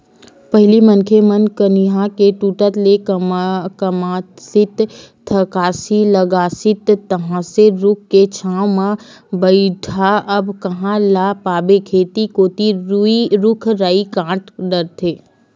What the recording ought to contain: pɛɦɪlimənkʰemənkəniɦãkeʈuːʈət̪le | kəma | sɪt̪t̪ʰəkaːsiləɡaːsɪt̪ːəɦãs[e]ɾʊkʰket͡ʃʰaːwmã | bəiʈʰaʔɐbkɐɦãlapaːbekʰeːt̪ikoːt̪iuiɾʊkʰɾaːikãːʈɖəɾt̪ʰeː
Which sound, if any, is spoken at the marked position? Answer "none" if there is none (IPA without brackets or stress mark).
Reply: e